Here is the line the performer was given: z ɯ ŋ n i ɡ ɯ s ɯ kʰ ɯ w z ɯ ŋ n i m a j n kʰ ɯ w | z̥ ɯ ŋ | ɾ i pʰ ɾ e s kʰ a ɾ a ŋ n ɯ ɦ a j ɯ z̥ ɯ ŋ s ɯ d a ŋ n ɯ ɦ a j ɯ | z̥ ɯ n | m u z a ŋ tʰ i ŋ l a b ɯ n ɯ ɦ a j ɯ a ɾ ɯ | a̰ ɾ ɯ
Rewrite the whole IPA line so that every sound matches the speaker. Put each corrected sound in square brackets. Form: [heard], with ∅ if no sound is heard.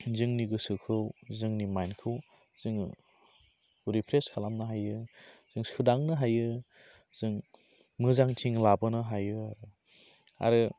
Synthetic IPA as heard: z ɯ ŋ n i ɡ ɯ s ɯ kʰ ɯ w z ɯ ŋ n i m a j n kʰ ɯ w | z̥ ɯ ŋ | ɾ i pʰ ɾ e s kʰ a [l] a [m] n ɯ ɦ a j ɯ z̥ ɯ ŋ s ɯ d a ŋ n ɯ ɦ a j ɯ | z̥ ɯ [ŋ] | m [ɯ] z a ŋ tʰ i ŋ l a b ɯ n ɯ ɦ a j ɯ a ɾ ɯ | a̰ ɾ ɯ